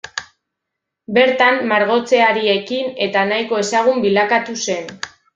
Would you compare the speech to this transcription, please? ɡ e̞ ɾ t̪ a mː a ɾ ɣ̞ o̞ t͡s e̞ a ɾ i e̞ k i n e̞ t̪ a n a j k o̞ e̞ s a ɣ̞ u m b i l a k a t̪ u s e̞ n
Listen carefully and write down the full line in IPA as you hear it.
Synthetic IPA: b e̞ ɾ t̪ a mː a ɾ ɣ̞ o̞ t͡s e̞ a ɾ i e̞ k i n e̞ t̪ a n a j k o̞ e̞ s a ɣ̞ u m b i l a k a t̪ u s e̞ n